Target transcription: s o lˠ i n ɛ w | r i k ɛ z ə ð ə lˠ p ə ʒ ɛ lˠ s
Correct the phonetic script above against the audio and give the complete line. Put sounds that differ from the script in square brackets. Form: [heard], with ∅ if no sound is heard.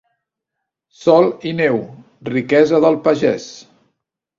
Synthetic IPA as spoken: s [ɔ] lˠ i n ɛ w | r i k ɛ z ə ð ə lˠ p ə ʒ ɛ [∅] s